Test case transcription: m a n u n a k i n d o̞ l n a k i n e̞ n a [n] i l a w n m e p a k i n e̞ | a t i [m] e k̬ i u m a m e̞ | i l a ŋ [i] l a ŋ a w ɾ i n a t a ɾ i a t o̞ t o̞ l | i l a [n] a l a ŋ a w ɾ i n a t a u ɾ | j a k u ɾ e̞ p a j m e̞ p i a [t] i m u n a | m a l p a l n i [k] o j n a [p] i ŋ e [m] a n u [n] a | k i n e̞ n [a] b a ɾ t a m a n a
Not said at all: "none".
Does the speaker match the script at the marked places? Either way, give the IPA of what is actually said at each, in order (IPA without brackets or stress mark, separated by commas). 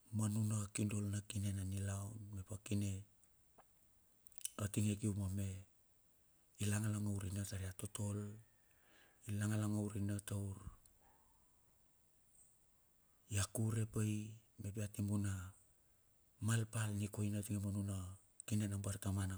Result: n, ŋ, a, ŋ, t, k, t, m, n, a